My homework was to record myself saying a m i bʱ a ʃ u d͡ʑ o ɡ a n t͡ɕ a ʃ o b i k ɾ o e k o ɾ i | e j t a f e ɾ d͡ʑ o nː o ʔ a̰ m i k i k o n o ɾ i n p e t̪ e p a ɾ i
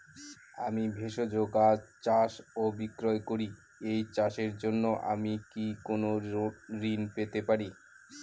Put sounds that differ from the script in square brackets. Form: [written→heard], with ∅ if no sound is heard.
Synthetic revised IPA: a m i bʱ [a→e] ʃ [u→o] d͡ʑ o ɡ a [n→∅] t͡ɕ a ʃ o b i k ɾ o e k o ɾ i | e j [t→t͡ɕ] a [f→ʃ] e ɾ d͡ʑ o nː o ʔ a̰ m i k i k o n o ɾ i n p e t̪ e p a ɾ i